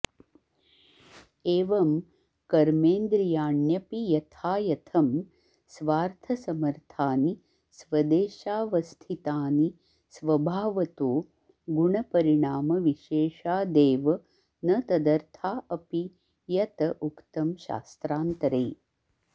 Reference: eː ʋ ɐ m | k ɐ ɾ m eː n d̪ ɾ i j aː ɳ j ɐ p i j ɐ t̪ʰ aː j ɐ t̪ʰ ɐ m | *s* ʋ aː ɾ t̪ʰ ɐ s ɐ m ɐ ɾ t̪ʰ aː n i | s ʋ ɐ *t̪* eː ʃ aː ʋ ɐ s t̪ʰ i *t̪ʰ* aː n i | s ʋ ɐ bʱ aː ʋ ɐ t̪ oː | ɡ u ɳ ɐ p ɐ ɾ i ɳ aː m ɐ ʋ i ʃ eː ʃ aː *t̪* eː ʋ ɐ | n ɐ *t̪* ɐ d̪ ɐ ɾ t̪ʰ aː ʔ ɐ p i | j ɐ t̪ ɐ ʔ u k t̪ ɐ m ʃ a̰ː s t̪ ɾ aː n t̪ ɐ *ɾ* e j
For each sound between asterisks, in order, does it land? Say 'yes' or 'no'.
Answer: yes, no, no, no, yes, yes

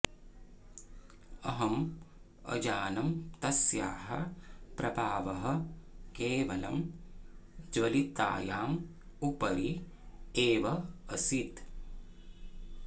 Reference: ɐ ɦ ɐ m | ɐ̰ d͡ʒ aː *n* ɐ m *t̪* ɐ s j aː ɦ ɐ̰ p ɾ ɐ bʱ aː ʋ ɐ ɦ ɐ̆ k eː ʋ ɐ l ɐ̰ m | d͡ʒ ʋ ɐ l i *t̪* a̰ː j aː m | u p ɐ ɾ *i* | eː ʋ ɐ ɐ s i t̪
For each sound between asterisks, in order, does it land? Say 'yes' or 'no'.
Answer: yes, yes, yes, yes

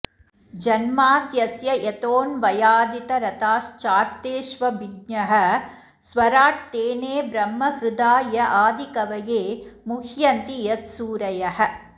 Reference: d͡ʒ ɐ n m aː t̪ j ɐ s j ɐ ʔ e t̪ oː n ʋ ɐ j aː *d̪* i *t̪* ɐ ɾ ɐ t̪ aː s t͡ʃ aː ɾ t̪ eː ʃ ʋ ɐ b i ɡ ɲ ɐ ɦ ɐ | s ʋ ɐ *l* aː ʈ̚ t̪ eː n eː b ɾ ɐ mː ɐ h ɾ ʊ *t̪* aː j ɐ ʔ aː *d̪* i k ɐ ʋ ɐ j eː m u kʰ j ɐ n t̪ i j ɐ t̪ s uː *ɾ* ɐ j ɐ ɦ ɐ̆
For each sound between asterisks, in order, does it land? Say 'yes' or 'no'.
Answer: yes, yes, no, no, yes, yes

